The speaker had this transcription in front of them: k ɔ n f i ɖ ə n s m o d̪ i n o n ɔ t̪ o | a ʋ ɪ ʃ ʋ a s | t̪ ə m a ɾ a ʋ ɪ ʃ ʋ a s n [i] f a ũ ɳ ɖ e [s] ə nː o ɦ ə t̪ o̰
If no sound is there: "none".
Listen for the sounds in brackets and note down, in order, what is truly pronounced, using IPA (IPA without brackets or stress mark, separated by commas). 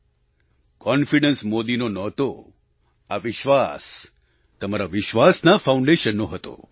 a, ʃ